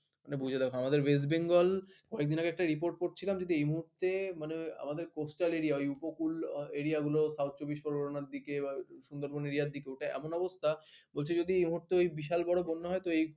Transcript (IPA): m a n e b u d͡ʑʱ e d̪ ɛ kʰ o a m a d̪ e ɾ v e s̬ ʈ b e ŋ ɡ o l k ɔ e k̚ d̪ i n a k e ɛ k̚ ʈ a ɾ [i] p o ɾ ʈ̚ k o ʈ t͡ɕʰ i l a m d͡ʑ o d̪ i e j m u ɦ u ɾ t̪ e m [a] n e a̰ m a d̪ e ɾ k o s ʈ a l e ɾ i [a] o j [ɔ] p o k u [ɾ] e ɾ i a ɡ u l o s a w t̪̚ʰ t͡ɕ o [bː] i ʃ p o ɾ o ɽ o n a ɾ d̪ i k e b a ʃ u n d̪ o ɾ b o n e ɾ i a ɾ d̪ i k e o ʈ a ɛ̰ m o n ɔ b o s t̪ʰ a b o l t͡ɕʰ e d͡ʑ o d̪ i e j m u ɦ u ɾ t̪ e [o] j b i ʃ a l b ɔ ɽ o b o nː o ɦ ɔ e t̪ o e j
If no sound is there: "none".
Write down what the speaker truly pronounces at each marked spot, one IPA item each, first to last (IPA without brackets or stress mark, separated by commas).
i, a, a, u, l, b, o